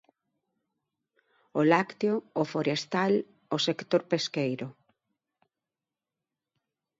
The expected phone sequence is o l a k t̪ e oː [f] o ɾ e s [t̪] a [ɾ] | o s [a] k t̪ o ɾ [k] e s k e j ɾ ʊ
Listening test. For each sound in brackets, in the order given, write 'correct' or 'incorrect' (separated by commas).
correct, correct, incorrect, incorrect, incorrect